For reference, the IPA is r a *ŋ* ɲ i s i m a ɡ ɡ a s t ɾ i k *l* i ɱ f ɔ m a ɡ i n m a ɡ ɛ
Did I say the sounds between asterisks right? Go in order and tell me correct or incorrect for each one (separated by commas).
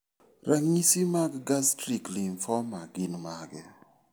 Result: correct, correct